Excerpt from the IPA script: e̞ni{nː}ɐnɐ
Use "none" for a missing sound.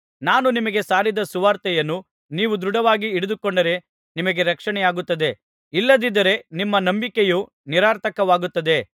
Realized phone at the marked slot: mː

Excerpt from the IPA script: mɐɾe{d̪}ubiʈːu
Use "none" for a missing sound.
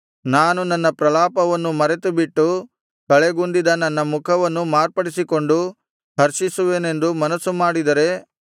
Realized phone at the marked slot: t̪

